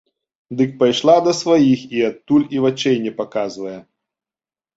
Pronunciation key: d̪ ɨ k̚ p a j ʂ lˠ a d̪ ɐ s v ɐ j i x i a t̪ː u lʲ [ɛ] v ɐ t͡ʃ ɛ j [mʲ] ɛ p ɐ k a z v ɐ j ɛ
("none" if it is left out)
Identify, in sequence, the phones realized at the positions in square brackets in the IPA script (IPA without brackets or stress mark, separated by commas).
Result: i, nʲ